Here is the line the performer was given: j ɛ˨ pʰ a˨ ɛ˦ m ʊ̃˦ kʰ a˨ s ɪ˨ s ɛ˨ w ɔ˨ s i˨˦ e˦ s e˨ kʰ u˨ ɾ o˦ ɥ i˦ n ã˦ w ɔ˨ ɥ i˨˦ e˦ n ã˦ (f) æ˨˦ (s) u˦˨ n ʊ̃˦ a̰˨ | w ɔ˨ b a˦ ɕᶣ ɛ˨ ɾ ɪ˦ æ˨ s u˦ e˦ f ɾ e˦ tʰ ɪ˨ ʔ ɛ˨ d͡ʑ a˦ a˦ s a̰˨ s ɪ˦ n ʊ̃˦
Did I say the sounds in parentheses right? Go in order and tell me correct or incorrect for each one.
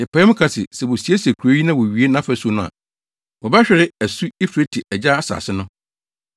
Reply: correct, correct

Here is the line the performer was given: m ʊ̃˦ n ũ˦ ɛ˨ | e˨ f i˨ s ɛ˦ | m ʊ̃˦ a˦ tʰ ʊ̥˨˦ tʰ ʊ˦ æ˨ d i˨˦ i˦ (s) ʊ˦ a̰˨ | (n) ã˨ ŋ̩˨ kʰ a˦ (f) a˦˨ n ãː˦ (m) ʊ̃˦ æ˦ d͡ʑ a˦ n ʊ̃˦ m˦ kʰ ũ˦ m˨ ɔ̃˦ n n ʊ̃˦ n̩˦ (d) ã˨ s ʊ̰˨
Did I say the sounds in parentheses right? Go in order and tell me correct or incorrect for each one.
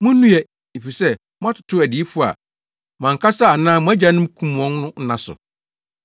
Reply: incorrect, incorrect, incorrect, correct, incorrect

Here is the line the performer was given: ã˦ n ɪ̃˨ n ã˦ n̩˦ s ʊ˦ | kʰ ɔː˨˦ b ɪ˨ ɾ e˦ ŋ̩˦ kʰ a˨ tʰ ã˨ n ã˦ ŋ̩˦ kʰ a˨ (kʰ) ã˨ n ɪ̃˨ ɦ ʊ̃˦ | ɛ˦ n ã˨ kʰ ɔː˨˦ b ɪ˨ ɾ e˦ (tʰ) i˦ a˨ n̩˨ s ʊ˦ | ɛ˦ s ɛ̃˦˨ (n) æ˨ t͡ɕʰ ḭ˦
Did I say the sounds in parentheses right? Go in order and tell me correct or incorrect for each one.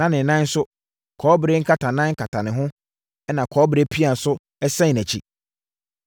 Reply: incorrect, incorrect, correct

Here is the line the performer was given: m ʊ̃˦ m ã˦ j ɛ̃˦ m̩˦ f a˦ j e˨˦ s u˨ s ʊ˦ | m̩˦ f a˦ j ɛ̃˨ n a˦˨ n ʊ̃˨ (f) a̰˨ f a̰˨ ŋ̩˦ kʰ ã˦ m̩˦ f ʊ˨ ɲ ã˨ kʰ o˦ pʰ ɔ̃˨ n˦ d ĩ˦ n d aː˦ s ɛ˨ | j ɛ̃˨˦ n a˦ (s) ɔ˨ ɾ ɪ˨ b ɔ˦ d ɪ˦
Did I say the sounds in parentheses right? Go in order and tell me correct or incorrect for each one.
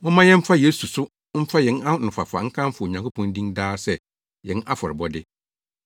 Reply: correct, incorrect

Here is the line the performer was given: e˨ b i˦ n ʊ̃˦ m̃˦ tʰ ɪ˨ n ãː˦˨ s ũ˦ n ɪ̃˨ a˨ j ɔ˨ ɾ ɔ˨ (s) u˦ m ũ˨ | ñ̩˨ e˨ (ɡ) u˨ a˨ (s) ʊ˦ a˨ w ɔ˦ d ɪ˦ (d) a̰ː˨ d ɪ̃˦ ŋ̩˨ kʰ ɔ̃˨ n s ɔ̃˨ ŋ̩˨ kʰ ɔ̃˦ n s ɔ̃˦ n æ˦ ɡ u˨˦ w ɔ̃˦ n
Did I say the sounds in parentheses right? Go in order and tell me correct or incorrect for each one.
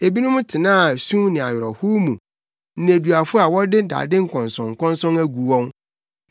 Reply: incorrect, incorrect, incorrect, correct

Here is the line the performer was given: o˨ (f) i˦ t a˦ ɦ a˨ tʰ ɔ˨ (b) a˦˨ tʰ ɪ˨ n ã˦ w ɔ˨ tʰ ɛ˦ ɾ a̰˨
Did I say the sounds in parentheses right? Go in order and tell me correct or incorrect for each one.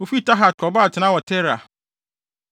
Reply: correct, correct

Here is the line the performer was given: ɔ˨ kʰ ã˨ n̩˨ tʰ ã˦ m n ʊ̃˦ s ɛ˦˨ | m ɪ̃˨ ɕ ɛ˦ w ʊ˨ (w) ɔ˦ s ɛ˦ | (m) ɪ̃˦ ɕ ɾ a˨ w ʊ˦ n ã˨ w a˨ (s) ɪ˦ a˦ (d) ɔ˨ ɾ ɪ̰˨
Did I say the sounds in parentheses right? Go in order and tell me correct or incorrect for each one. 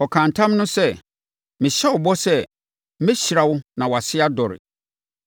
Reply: incorrect, correct, correct, correct

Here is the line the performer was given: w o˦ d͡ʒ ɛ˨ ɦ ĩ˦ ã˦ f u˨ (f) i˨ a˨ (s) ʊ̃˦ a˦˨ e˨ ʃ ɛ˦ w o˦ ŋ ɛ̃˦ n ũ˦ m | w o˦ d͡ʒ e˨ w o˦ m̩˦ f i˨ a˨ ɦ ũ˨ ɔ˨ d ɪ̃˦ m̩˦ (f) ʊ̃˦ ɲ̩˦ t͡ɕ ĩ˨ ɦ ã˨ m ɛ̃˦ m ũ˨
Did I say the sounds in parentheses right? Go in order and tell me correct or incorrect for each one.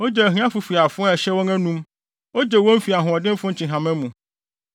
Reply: correct, incorrect, correct

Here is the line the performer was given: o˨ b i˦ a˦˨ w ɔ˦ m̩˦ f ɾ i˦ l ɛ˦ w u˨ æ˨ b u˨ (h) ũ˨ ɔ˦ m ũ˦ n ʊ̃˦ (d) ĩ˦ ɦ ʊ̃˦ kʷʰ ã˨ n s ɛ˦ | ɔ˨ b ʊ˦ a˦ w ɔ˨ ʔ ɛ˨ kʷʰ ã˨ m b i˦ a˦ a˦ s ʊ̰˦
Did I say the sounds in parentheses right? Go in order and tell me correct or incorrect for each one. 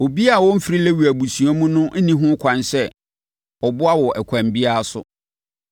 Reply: incorrect, incorrect

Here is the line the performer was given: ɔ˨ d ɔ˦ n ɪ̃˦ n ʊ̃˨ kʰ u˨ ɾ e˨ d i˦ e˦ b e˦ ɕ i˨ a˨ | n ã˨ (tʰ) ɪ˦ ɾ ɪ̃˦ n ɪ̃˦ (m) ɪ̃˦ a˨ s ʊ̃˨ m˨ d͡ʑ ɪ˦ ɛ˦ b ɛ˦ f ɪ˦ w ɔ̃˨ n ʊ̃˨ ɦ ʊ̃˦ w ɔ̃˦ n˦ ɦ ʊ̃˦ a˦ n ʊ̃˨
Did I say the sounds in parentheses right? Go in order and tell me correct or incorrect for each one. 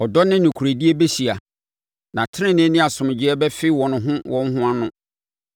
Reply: correct, incorrect

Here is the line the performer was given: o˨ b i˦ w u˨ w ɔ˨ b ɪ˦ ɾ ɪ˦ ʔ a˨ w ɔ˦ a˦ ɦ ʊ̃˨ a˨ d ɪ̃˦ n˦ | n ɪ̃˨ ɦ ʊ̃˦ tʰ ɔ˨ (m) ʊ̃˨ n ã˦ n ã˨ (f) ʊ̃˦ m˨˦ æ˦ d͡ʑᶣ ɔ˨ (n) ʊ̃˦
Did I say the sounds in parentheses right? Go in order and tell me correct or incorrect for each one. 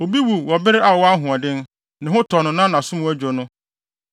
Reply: incorrect, incorrect, correct

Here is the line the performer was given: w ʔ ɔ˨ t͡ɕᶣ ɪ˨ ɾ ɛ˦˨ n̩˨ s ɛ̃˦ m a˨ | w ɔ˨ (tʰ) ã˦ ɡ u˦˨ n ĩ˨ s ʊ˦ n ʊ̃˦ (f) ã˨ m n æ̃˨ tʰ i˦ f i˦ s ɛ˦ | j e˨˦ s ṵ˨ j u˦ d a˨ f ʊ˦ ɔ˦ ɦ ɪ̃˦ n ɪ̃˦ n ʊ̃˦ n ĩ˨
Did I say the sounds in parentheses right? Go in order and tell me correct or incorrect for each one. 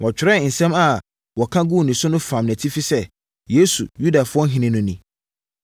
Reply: incorrect, correct

